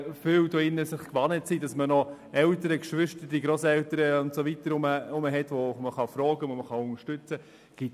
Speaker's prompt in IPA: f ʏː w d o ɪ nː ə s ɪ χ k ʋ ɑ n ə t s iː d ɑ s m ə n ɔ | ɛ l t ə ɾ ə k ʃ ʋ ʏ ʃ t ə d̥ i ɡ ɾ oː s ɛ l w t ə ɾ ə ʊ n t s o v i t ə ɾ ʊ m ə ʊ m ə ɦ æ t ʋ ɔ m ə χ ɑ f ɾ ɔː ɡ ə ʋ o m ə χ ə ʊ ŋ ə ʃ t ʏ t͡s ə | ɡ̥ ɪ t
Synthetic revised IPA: f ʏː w d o ɪ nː ə s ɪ χ k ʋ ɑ n ə t s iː d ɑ s m ə n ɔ | ɛ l t ə ɾ ə k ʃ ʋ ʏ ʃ t ə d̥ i ɡ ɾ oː s ɛ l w t ə ɾ ə ʊ n t s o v i t ə ɾ ʊ m ə ʊ m ə ɦ ɛ t ʋ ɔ m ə χ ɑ f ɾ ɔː ɡ ə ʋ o m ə χ ɑ ʊ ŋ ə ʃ t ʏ t͡s ə | ɡ̥ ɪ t